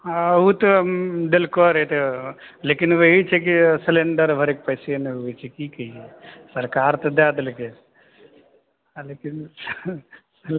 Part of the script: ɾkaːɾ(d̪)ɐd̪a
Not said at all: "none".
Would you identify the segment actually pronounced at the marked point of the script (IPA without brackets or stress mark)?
t̪